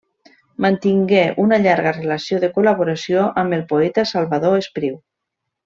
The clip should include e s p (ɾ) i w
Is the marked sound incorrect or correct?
correct